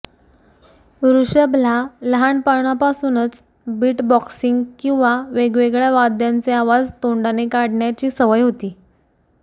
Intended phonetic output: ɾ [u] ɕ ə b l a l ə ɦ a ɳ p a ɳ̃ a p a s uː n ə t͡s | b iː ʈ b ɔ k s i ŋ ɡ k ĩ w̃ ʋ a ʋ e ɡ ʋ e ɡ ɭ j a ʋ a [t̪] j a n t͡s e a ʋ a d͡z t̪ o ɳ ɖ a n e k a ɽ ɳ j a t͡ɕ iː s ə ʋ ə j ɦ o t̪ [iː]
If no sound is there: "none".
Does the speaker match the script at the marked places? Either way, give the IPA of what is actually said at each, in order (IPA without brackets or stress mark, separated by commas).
u, d̪, iː